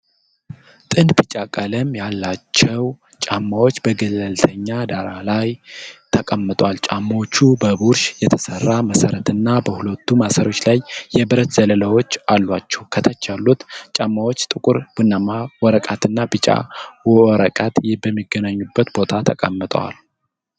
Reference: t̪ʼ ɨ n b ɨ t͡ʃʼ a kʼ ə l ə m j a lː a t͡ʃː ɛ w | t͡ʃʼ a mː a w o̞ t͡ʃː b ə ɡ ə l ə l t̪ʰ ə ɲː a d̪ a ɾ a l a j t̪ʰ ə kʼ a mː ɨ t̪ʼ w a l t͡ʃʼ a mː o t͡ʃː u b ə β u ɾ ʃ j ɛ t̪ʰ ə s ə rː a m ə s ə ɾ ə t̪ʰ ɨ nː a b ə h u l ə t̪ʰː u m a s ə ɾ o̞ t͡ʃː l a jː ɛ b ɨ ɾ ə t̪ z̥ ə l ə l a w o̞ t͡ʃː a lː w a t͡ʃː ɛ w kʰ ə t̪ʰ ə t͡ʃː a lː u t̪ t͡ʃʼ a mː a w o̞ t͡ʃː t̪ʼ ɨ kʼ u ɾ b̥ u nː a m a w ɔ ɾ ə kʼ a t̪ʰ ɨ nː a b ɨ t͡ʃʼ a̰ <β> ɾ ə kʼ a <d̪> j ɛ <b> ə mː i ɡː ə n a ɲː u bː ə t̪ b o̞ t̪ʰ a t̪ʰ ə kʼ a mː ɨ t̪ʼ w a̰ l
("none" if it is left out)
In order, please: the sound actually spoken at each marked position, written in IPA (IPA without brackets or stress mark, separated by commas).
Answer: w, t̪, b